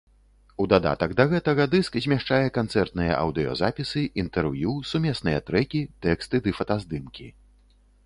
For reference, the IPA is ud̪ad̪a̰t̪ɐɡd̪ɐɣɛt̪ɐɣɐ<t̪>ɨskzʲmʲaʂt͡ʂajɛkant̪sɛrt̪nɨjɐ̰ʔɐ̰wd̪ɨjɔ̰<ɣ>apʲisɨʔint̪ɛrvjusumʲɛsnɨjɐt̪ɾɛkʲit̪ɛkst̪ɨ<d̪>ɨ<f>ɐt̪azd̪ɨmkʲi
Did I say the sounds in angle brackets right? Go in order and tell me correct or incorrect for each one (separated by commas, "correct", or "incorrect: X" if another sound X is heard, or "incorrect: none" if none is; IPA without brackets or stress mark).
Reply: incorrect: d̪, incorrect: z, correct, correct